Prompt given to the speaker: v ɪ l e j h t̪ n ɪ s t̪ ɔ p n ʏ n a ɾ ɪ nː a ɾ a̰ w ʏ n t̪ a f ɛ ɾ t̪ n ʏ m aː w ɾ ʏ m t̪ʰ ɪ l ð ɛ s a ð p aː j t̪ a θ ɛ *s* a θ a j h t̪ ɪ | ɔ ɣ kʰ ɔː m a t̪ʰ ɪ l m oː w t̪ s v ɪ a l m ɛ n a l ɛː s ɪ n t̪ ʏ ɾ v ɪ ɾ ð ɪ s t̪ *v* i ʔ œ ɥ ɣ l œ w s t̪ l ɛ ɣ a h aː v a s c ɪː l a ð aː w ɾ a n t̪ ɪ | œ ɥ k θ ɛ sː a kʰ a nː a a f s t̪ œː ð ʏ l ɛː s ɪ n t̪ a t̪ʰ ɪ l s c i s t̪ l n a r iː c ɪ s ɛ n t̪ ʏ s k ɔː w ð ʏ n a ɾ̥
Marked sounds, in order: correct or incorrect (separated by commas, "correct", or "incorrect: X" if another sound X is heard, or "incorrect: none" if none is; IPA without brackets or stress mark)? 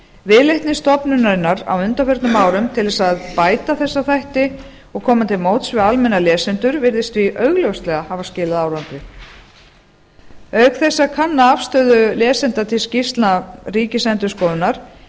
incorrect: sː, correct